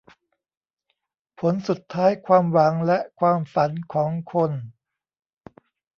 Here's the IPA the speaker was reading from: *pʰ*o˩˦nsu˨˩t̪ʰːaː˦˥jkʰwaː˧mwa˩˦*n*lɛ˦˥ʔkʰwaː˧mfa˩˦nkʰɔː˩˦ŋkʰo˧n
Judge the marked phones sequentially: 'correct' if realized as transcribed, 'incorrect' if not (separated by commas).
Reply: correct, incorrect